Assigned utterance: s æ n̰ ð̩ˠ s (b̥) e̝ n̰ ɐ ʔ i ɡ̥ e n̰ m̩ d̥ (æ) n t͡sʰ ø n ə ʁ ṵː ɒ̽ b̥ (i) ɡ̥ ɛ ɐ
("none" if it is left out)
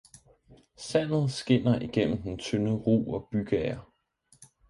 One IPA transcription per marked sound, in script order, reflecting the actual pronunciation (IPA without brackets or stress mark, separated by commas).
ɡ̥, e, y